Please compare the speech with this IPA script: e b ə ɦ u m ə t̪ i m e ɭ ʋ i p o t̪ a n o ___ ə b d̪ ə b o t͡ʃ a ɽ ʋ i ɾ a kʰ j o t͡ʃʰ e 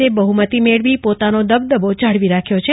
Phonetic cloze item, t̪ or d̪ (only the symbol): d̪